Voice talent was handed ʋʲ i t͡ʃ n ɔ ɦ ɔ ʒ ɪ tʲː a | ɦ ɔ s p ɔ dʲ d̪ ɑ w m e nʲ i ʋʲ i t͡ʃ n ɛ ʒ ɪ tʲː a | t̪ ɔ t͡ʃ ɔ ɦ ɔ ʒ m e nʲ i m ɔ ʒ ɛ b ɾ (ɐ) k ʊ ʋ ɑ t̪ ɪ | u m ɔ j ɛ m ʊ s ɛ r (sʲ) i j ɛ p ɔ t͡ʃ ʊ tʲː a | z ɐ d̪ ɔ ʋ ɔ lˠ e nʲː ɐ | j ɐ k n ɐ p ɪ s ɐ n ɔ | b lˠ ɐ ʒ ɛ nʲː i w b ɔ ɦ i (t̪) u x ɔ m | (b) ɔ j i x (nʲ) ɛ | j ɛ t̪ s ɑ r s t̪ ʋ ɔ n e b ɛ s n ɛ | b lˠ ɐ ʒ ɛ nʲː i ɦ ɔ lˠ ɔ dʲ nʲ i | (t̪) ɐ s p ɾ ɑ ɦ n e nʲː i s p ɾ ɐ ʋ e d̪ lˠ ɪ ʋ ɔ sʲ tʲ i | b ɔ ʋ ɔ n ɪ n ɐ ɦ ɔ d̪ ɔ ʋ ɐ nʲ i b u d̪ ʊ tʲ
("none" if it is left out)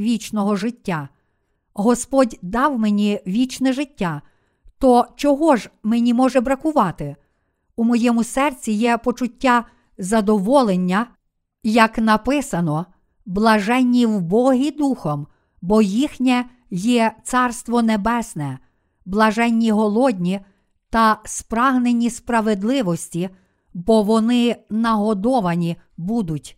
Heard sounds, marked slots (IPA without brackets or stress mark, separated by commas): ɐ, t͡sʲ, d̪, b, nʲ, t̪